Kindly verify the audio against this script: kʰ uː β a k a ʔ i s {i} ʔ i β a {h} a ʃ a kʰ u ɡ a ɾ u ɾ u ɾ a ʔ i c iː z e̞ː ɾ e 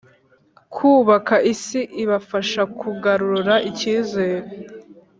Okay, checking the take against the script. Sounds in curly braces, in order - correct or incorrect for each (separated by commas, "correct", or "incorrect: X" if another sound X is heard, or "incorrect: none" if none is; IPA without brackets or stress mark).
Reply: correct, incorrect: f